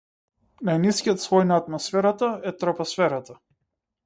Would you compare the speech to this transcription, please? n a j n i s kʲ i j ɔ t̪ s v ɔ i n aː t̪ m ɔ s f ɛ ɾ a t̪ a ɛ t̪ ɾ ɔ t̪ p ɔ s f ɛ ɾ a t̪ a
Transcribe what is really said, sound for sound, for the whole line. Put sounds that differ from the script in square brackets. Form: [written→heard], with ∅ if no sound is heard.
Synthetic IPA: n a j n i s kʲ i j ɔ t̪ s v ɔ [i→j] n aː t̪ m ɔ s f ɛ ɾ a t̪ a ɛ t̪ ɾ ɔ [t̪→∅] p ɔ s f ɛ ɾ a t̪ a